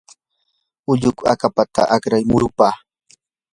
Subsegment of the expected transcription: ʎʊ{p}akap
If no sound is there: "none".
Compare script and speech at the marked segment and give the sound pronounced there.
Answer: k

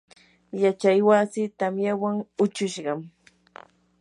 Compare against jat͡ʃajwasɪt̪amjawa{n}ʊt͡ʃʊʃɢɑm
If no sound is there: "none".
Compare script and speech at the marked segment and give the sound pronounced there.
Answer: ŋ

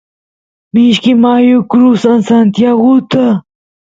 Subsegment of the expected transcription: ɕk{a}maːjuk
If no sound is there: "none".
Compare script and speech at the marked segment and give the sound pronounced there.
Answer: i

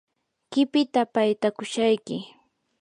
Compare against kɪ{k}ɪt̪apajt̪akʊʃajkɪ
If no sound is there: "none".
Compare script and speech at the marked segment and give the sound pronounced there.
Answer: p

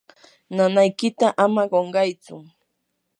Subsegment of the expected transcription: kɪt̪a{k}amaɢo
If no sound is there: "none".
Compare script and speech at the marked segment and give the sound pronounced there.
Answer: ʔ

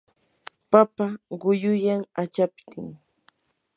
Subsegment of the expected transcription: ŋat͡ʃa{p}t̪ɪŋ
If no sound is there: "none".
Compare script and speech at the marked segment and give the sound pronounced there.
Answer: p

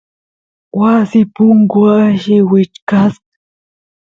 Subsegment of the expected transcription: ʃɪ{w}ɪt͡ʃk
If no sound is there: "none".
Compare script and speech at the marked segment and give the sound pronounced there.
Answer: w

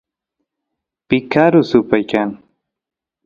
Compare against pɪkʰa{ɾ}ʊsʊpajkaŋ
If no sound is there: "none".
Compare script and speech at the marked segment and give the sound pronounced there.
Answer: ɾ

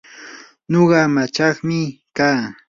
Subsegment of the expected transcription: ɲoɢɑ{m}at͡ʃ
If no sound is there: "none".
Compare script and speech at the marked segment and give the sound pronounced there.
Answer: m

